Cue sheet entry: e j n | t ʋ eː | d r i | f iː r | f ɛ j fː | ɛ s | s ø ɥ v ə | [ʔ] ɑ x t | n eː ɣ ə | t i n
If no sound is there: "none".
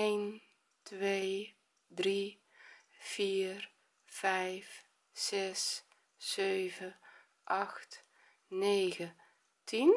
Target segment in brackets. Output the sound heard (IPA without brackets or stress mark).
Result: ʔ